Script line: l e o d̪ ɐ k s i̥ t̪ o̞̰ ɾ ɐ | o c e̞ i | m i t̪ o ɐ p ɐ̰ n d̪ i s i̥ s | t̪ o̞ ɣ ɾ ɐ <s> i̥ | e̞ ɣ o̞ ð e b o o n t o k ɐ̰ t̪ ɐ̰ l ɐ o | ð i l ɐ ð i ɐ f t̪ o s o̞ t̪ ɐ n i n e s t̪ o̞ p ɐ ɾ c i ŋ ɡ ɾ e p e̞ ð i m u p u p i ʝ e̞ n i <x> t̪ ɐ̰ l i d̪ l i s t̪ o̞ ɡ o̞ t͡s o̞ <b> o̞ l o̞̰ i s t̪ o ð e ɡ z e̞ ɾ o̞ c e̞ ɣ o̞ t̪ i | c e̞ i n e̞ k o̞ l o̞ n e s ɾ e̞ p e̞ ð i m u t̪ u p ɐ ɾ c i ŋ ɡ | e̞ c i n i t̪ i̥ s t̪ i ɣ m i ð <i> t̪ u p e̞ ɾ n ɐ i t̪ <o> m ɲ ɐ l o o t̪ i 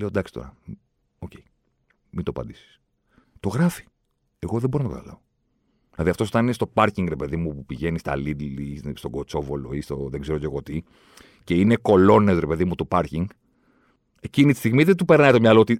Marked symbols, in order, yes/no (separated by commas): no, no, no, no, yes